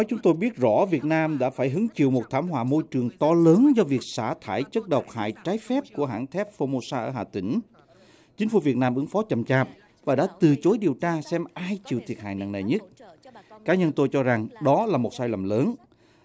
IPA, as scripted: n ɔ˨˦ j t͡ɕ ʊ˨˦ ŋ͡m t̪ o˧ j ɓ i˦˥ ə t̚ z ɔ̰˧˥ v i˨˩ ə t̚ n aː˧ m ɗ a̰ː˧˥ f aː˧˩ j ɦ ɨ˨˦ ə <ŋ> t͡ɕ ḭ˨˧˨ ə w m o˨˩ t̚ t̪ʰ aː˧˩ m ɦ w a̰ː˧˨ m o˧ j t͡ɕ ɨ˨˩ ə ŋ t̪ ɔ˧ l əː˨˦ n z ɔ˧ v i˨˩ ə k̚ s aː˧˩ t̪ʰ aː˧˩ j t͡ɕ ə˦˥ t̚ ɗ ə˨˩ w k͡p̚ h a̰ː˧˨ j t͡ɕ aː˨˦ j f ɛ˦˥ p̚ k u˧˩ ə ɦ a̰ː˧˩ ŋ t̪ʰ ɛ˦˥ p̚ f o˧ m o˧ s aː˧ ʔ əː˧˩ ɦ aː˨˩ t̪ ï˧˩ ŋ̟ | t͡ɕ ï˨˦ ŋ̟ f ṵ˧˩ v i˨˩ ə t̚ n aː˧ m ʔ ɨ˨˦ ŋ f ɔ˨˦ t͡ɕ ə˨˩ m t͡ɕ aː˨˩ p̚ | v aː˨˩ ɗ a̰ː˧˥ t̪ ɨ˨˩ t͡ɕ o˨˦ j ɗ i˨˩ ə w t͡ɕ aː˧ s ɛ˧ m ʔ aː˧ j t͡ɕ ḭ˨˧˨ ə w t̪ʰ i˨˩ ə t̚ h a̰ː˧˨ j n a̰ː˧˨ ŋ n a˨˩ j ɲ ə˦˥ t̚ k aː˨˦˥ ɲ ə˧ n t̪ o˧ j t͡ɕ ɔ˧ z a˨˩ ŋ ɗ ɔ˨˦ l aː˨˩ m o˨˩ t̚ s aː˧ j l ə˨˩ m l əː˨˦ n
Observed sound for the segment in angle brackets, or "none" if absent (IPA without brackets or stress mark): ŋ